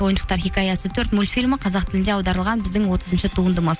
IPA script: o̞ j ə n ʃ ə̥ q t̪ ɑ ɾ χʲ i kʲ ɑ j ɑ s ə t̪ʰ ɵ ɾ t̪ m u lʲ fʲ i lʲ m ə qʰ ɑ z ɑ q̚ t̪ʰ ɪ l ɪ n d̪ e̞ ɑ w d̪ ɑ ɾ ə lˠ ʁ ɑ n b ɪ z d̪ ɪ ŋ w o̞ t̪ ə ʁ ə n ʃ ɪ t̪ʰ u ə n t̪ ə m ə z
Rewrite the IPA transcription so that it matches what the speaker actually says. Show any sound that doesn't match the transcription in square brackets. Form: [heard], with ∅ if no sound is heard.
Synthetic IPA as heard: o̞ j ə n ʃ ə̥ q t̪ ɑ ɾ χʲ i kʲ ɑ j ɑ s ə t̪ʰ ɵ ɾ t̪ m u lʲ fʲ i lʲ m ə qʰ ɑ z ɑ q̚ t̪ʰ ɪ l ɪ n d̪ e̞ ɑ w d̪ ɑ ɾ ə lˠ ʁ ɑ n b ɪ z d̪ ɪ ŋ w o̞ t̪ ə [z] ə n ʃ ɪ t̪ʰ u ə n [d̪] ə m ə z